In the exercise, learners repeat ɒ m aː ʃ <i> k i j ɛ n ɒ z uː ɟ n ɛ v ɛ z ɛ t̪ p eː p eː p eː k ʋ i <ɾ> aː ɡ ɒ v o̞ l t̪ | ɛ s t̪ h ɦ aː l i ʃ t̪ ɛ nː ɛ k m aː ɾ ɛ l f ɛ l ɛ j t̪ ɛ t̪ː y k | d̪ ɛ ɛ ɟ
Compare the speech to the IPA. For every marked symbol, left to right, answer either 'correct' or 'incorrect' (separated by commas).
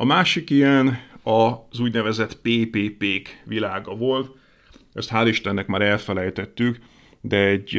correct, incorrect